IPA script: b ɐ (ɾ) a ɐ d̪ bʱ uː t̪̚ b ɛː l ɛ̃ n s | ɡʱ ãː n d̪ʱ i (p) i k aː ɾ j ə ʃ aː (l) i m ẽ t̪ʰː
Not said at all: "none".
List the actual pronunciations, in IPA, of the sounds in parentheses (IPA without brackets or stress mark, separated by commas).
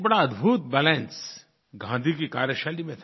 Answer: ɽ, k, l